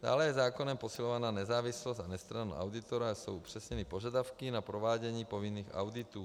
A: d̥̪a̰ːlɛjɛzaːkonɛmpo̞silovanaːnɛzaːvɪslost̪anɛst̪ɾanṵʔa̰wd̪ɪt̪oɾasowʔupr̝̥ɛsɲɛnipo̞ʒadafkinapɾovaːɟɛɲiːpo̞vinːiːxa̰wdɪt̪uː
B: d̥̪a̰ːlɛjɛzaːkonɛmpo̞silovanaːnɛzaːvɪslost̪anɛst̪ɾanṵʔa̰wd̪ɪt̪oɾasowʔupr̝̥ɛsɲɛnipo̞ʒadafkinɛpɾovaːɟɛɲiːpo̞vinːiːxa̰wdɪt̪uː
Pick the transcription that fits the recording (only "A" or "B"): A